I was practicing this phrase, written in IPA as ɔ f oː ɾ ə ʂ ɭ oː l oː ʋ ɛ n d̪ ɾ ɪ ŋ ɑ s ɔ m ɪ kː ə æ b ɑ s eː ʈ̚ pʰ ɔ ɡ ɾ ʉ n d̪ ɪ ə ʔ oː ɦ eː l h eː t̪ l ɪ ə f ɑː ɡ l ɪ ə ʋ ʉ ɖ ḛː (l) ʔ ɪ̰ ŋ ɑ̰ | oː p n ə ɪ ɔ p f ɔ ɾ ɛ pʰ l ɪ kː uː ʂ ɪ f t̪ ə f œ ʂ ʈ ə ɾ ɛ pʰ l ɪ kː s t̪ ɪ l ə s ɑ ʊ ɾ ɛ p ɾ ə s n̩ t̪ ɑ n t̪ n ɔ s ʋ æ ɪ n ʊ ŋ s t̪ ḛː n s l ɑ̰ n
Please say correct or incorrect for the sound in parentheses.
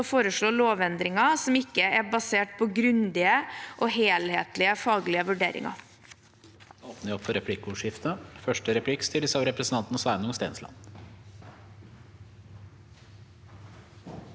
incorrect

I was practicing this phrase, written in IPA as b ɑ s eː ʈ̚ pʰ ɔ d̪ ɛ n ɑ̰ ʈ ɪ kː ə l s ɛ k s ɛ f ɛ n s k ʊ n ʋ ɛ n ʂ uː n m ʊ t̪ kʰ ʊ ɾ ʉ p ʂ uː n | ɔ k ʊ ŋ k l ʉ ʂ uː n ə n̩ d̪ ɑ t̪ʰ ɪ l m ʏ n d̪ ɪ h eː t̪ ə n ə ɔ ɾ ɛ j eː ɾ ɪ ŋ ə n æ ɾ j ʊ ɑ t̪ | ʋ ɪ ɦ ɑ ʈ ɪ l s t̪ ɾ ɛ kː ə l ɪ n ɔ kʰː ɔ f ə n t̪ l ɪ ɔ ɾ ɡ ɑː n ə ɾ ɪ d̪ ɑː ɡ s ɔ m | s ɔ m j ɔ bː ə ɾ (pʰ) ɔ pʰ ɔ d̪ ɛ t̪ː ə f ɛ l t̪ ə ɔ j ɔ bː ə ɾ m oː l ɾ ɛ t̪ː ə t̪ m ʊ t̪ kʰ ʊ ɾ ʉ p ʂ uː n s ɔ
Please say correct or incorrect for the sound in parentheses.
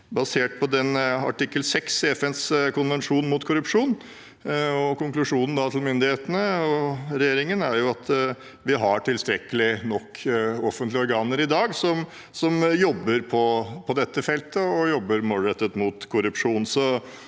correct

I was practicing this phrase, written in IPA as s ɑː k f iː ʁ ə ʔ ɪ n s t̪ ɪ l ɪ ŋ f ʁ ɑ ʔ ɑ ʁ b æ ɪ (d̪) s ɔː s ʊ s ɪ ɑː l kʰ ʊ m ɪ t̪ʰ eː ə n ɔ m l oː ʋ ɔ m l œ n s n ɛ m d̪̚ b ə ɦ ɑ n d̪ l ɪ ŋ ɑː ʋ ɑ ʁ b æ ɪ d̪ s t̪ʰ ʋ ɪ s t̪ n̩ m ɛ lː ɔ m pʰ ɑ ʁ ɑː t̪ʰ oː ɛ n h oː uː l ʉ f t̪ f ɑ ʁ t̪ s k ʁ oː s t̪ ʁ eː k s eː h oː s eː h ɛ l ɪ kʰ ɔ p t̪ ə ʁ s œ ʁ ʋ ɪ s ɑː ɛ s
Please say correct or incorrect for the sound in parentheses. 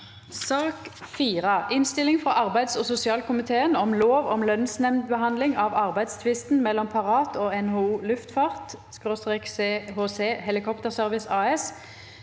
correct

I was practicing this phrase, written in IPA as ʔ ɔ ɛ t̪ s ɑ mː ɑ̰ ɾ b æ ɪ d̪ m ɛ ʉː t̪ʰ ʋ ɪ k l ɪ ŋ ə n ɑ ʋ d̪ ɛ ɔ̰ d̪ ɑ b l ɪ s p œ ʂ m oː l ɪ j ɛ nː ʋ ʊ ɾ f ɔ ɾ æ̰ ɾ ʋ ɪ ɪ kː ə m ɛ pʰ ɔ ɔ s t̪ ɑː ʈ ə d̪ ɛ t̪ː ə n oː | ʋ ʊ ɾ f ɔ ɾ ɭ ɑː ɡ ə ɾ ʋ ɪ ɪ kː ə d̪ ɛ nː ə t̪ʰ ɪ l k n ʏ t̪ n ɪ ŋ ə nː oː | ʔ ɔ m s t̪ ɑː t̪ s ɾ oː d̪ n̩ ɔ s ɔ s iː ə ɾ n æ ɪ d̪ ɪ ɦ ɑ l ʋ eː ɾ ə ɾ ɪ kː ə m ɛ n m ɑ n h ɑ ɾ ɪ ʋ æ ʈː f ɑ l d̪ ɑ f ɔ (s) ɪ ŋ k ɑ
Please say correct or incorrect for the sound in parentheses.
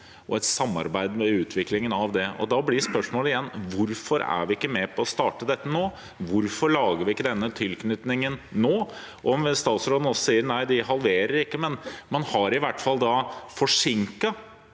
incorrect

